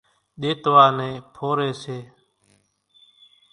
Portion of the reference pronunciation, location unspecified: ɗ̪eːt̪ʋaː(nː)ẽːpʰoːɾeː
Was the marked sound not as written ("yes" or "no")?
yes